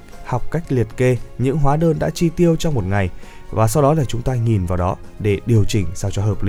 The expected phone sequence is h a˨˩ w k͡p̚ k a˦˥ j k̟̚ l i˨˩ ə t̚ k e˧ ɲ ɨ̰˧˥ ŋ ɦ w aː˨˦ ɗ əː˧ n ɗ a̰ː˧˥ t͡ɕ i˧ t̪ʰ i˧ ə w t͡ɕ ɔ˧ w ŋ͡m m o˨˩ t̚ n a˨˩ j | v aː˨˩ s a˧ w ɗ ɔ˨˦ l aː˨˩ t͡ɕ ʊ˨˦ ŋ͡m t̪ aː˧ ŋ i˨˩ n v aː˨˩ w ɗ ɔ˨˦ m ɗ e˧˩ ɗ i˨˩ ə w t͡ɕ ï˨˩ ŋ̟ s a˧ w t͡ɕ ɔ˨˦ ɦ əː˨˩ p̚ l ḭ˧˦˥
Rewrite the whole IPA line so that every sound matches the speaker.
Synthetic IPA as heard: h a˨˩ w k͡p̚ k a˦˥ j k̟̚ l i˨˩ ə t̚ k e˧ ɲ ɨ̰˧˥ ŋ ɦ w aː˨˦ ɗ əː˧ n ɗ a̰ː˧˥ t͡ɕ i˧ t̪ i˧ ə w t͡ɕ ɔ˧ w ŋ͡m m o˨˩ t̚ ŋ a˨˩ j | v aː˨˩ s a˧ w ɗ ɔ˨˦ l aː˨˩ t͡ɕ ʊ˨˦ ŋ͡m t̪ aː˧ ŋ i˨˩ n v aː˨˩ w ɗ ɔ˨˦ ɗ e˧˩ ɗ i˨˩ ə w t͡ɕ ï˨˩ ŋ̟ s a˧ w t͡ɕ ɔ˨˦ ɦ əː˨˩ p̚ l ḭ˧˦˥